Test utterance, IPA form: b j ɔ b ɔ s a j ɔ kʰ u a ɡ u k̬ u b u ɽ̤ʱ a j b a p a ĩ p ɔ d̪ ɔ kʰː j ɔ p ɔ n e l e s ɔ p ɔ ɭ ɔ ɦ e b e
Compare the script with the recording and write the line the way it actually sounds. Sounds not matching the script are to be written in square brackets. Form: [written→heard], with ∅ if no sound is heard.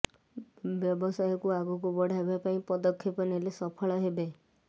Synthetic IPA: b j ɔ b ɔ s a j ɔ [kʰ→k] u a ɡ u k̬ u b [u→ɔ] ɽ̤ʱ a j b a p a ĩ p ɔ d̪ ɔ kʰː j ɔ p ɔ n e l e s ɔ [p→pʰ] ɔ ɭ ɔ ɦ e b e